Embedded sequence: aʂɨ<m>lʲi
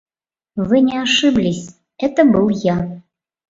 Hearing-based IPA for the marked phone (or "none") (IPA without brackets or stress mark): b